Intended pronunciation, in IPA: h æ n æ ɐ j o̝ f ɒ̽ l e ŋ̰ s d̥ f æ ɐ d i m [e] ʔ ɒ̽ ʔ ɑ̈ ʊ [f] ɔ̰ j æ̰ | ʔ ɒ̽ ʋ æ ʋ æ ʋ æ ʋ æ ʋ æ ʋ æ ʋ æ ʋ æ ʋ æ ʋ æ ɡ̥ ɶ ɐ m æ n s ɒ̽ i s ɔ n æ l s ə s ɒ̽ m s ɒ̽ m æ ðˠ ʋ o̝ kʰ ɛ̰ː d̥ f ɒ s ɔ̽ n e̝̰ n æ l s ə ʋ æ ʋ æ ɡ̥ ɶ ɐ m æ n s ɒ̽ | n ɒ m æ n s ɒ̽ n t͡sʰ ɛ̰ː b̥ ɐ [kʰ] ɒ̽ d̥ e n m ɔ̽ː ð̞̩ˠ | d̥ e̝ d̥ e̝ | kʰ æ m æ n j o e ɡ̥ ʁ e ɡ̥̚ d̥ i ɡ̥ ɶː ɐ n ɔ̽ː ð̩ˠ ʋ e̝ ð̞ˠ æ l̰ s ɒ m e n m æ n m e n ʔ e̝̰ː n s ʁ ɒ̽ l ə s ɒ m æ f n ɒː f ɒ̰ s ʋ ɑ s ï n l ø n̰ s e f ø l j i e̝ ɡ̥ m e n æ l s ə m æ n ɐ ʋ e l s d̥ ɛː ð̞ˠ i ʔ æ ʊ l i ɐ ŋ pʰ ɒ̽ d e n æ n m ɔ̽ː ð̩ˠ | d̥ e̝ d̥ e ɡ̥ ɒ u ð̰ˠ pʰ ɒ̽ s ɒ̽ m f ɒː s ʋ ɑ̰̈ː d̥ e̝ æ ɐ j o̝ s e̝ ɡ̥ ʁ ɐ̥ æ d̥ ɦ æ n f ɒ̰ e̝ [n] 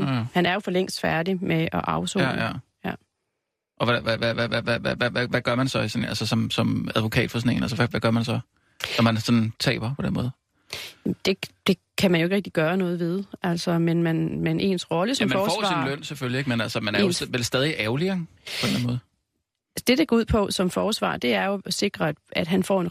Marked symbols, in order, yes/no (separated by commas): yes, no, no, yes